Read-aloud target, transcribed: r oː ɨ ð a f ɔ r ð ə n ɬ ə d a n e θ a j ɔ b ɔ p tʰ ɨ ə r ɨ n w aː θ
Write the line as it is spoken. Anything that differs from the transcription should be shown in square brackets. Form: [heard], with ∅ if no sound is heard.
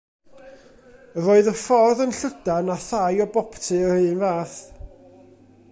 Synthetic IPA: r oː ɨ ð [ə] f ɔ r ð ə n ɬ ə d a n [a] θ a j ɔ b ɔ p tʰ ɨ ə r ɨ n [v] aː θ